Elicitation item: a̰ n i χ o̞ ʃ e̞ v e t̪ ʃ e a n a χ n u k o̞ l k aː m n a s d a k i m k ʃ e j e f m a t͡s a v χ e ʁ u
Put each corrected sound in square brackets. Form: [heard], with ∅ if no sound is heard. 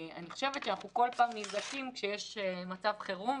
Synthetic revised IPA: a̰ n i χ o̞ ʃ e̞ v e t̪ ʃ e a n a χ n u k o̞ l [p] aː m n [i] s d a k i m k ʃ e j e [ʃ] m a t͡s a v χ e ʁ u